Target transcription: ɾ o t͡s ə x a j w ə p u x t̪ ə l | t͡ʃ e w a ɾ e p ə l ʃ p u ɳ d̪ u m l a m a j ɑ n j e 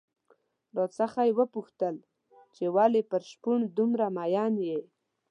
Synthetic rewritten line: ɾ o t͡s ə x a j w ə p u x t̪ ə l | t͡ʃ e w a l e p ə ɾ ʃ p u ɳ d̪ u m ɾ a m a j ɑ n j e

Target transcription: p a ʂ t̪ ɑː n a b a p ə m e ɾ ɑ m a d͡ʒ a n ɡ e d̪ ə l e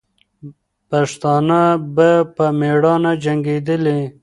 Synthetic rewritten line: p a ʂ t̪ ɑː n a b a p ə m e ɽ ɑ n a d͡ʒ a ŋ ɡ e d̪ ə l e

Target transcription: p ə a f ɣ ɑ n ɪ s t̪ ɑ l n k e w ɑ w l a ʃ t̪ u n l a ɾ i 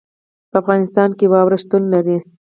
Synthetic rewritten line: p ə a f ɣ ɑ n ɪ s t̪ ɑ n k e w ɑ w ɾ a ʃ t̪ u n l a ɾ i

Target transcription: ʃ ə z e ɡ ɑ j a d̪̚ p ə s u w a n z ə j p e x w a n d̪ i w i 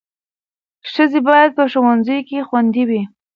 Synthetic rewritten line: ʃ ə z e b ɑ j a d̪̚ p ə ʃ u w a n z ə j k e x w a n d̪ i w i

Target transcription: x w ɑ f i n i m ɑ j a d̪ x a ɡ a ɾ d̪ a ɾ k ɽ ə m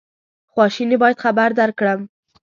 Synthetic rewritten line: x w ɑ ʃ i n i b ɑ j a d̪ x a b a ɾ d̪ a ɾ k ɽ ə m

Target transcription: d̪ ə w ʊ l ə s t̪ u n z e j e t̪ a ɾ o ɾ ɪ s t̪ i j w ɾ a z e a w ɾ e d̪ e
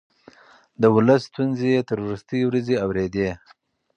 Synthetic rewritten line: d̪ ə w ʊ l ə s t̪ u n z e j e t̪ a ɾ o ɾ ɪ s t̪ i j w ɾ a z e a w ɾ e d̪ e

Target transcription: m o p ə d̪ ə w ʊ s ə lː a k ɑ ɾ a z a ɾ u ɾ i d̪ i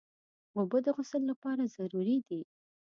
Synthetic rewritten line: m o b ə d̪ ə ɣ ʊ s ə lː a p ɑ ɾ a z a ɾ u ɾ i d̪ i

